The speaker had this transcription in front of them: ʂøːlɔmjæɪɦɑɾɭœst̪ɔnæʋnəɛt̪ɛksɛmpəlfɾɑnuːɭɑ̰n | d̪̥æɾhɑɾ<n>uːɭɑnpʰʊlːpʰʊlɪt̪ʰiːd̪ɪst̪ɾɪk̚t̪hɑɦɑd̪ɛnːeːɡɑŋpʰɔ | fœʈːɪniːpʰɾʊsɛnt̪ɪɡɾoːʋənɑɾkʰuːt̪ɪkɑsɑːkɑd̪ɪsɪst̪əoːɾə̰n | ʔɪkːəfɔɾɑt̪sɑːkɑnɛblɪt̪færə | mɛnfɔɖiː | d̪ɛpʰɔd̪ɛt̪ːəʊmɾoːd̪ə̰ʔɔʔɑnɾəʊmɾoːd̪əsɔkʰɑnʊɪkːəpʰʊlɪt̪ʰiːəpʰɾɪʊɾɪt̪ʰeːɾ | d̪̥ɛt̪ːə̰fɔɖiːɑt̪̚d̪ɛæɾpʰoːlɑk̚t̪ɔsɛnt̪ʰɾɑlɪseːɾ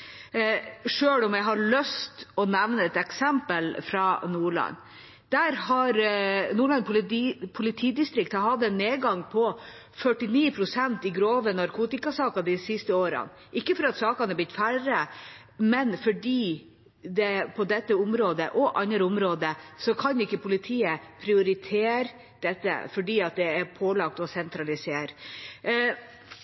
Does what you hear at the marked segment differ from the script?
no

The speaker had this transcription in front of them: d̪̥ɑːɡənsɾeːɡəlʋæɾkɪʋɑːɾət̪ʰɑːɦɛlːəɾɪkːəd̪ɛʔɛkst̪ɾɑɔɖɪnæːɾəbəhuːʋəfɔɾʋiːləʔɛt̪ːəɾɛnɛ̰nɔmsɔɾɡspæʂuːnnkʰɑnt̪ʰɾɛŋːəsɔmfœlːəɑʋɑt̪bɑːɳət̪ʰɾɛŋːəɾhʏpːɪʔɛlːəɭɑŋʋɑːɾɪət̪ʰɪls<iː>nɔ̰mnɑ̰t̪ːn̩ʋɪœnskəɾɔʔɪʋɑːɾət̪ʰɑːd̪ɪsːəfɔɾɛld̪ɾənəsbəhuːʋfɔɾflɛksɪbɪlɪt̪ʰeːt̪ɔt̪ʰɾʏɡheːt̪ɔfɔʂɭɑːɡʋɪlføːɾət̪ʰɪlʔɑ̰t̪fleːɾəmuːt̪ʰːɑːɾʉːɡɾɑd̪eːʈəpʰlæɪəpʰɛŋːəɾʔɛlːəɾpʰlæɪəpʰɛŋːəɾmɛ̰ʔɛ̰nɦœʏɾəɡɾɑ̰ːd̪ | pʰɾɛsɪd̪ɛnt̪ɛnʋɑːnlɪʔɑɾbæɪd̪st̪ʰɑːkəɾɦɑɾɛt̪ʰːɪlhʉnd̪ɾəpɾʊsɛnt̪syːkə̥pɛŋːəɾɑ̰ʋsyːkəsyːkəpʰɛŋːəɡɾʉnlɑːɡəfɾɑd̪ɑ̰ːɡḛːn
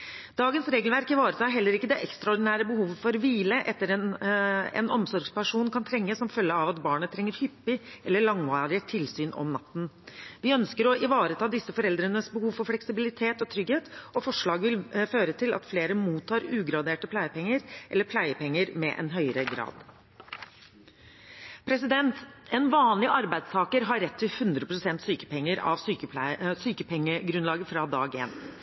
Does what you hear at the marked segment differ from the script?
yes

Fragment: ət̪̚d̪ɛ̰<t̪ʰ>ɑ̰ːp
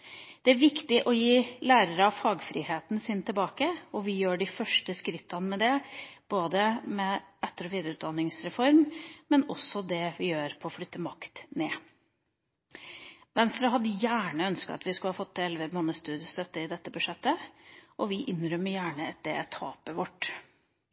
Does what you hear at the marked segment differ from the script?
no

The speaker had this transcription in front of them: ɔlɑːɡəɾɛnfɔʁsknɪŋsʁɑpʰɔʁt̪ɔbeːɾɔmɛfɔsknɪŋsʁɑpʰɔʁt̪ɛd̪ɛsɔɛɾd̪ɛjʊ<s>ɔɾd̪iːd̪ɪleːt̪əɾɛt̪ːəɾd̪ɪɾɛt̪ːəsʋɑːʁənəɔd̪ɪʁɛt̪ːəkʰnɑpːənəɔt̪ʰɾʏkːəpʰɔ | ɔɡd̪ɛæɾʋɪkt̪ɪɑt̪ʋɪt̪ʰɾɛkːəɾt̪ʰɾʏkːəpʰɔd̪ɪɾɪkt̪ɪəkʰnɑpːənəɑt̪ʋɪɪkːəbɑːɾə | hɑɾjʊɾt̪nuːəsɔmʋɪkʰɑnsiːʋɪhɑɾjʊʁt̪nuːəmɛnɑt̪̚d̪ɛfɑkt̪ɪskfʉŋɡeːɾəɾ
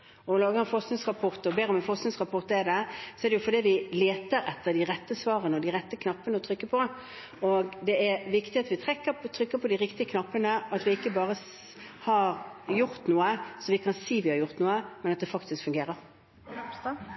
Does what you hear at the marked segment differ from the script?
yes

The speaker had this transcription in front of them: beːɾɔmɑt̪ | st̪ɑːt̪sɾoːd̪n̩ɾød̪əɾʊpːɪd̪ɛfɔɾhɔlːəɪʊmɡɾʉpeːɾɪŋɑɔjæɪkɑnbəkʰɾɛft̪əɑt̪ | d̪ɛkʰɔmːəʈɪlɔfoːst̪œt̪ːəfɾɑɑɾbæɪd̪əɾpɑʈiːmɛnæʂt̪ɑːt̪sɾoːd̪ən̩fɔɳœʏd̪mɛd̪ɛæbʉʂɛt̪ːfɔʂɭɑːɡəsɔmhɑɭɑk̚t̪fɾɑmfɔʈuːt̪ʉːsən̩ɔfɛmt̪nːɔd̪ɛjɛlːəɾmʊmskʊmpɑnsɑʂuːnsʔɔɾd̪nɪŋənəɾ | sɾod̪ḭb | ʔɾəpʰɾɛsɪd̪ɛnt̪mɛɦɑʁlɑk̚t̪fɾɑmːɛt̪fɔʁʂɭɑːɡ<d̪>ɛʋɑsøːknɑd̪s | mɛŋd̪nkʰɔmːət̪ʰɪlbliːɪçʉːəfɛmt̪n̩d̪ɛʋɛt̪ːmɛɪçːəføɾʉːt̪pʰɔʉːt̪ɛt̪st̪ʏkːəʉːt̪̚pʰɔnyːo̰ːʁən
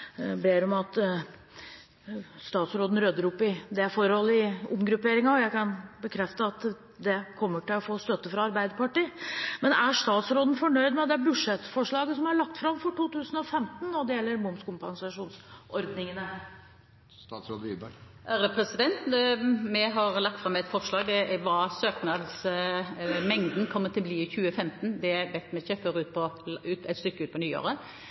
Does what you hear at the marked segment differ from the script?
no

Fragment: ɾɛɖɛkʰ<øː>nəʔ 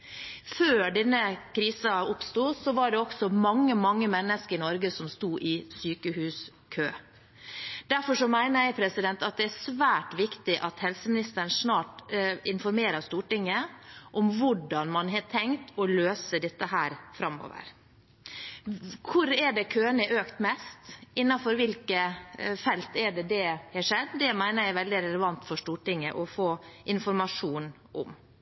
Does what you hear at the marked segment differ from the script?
no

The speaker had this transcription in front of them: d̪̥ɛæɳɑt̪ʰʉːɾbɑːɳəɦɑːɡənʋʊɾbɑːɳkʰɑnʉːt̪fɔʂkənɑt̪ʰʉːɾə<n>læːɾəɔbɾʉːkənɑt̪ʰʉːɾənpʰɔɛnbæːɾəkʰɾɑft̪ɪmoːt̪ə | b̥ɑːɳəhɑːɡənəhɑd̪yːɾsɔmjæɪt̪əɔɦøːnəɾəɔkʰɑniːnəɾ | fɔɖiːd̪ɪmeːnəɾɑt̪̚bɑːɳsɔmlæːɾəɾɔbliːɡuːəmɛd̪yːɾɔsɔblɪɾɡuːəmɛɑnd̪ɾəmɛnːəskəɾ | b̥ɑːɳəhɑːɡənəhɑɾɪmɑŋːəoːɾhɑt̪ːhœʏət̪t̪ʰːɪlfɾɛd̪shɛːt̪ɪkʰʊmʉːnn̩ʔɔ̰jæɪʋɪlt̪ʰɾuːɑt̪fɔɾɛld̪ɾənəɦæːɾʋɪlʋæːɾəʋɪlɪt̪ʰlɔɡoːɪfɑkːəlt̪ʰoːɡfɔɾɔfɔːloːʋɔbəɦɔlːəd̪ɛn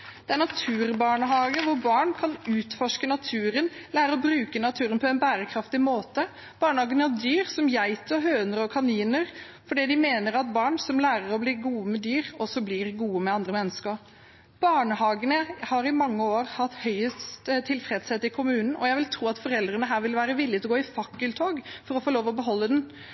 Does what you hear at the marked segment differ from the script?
no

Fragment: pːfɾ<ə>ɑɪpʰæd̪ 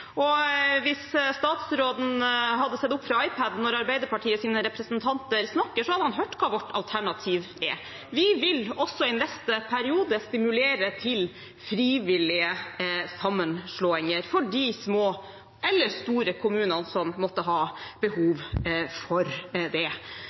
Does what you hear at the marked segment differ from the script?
yes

